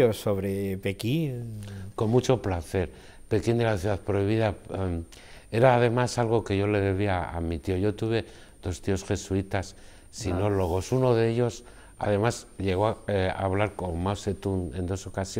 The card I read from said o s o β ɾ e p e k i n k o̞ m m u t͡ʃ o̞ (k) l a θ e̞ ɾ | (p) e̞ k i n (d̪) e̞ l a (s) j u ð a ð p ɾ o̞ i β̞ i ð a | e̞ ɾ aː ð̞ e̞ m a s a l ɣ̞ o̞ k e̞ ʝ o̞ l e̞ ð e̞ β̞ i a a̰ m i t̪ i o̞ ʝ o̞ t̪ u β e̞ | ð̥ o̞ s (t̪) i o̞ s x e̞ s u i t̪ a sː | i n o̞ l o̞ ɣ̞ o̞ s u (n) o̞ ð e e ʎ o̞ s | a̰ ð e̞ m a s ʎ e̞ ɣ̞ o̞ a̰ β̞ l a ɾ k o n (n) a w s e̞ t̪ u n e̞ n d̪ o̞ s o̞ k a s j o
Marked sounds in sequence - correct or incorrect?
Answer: incorrect, correct, correct, incorrect, correct, correct, incorrect

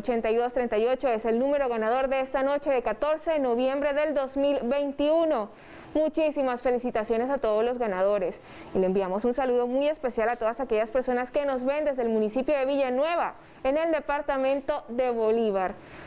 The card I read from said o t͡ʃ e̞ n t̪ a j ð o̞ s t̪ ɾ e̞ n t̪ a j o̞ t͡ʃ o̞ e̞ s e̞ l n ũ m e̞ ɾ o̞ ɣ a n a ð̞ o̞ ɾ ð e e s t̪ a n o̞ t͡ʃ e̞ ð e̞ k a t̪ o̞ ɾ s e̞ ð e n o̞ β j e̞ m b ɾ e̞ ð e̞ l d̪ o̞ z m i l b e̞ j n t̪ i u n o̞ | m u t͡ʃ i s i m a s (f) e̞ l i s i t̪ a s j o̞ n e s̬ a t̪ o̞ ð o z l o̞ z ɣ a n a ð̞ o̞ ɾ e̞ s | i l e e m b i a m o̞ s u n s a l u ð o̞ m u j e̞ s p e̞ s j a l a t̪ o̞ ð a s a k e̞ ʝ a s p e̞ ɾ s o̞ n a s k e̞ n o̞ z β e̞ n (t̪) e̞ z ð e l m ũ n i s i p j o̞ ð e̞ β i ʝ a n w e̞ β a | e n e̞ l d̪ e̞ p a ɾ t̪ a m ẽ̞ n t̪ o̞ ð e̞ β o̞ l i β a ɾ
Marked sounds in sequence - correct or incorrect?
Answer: correct, incorrect

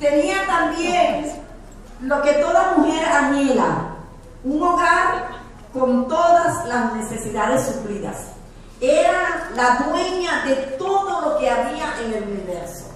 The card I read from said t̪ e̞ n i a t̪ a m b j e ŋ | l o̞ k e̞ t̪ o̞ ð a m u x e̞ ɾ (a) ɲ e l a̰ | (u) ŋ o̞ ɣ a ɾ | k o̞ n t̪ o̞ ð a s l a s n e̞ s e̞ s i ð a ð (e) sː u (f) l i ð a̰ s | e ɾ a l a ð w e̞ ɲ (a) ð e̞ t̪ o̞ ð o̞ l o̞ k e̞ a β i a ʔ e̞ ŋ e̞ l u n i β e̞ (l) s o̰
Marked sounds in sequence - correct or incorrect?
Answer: correct, correct, correct, correct, correct, incorrect

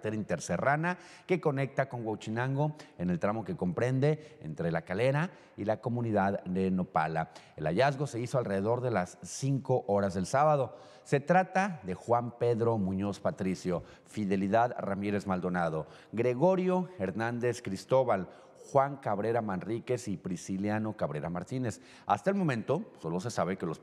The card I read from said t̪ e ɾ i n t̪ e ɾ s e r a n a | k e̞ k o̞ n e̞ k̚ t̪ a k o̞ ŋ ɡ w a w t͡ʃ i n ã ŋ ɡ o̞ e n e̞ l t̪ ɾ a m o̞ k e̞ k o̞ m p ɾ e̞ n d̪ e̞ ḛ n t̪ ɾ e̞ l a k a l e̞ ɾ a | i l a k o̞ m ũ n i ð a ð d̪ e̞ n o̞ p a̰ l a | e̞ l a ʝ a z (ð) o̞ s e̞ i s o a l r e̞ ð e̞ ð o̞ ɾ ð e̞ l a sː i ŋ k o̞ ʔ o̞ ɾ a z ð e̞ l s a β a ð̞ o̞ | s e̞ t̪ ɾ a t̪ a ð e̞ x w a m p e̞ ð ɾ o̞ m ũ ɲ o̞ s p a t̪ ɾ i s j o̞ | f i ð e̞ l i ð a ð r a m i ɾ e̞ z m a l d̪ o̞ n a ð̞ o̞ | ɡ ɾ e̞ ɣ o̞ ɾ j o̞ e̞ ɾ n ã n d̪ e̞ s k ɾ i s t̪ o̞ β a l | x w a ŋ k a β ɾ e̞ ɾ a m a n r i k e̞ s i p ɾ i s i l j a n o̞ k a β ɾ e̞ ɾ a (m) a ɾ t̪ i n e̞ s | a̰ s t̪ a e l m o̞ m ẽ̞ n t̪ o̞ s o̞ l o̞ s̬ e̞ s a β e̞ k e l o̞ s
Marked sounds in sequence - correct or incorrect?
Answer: incorrect, correct

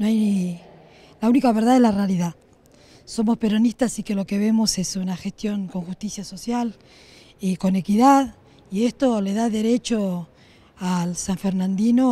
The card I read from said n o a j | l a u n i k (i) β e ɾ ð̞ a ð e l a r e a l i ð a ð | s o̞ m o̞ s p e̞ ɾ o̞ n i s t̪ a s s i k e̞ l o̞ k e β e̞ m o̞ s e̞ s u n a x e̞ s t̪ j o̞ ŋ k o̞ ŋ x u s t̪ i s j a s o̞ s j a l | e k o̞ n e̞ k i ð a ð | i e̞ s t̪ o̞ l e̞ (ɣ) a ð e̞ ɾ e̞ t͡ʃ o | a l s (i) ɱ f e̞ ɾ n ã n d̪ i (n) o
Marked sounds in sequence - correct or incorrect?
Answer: incorrect, incorrect, incorrect, correct

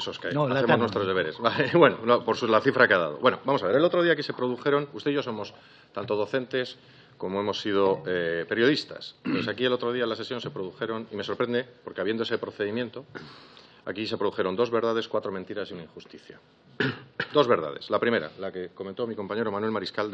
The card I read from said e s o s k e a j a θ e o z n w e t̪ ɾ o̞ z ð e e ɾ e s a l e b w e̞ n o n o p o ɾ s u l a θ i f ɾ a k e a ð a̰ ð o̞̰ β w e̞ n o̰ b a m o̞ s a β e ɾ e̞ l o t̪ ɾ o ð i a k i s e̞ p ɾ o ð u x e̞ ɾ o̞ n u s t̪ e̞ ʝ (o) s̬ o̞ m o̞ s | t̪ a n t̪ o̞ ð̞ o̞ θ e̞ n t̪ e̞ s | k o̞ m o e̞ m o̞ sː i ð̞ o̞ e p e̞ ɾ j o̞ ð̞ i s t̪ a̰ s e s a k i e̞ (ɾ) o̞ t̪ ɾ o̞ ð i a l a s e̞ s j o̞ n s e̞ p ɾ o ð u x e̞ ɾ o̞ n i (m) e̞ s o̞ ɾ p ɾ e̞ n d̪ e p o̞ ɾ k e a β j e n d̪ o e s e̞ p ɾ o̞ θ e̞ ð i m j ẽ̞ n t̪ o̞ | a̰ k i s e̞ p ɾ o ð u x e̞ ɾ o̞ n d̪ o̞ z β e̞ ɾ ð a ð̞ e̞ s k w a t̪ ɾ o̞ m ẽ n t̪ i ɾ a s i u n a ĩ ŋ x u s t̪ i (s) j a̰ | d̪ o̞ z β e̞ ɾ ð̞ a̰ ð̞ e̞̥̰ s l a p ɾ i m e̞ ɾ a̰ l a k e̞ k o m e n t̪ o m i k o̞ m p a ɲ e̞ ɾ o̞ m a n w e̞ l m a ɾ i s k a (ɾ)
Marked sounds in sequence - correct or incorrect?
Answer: correct, incorrect, correct, incorrect, incorrect

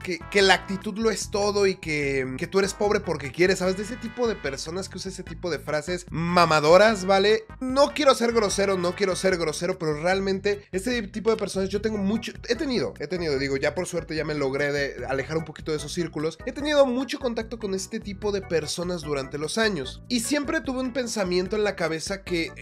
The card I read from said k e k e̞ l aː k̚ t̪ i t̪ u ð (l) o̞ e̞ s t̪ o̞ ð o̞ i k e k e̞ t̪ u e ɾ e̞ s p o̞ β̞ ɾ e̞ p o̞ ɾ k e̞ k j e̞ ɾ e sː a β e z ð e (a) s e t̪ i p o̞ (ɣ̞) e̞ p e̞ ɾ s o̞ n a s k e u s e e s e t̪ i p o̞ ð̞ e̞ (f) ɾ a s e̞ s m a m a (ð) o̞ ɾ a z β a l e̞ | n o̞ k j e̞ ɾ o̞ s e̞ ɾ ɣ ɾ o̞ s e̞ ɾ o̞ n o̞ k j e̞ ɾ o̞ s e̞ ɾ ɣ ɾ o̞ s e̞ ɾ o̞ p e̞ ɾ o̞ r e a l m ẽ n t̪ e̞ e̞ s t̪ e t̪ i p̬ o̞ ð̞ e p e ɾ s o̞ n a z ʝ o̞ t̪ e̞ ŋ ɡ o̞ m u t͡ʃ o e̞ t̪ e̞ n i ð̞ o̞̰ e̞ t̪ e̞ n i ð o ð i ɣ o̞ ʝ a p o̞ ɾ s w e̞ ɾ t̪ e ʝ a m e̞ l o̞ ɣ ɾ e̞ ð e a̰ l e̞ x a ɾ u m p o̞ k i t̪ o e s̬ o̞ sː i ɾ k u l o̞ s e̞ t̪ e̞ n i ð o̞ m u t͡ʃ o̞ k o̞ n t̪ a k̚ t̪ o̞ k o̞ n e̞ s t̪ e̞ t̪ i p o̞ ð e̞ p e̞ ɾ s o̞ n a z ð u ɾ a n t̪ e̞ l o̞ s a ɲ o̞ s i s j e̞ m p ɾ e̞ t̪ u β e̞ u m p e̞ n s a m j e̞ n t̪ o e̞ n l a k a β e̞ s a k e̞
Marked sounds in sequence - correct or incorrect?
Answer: correct, incorrect, incorrect, correct, correct

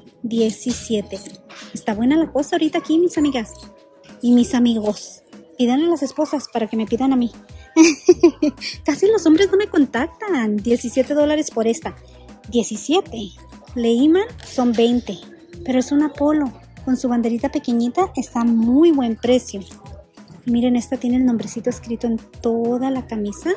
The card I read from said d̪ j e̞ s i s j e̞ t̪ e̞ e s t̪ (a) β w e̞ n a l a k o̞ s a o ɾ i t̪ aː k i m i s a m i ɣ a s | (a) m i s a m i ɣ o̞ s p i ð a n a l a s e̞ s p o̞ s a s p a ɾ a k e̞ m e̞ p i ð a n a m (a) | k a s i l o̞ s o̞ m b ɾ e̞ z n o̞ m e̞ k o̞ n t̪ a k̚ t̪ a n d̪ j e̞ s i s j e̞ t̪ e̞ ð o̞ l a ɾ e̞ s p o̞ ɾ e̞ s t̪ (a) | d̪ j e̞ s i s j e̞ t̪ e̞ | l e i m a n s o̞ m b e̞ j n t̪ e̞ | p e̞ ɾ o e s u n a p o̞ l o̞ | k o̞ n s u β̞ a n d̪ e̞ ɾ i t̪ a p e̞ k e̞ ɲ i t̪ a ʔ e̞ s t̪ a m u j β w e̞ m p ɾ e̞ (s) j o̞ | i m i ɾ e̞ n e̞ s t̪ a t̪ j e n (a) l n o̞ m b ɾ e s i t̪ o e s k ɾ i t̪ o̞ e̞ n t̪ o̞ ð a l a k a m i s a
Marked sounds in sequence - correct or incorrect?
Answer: correct, incorrect, incorrect, correct, correct, incorrect

